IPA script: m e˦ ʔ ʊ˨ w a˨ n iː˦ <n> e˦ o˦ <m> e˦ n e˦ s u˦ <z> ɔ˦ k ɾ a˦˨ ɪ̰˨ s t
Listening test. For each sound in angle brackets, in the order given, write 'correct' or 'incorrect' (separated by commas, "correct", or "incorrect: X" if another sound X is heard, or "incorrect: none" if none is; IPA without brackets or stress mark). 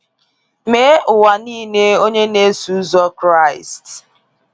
correct, incorrect: ɲ, correct